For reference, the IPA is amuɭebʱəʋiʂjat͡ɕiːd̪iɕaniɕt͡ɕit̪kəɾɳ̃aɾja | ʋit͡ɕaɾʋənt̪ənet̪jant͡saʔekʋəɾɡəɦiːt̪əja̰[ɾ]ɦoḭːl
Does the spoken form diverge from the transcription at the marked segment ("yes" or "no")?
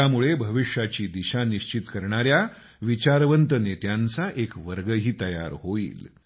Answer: no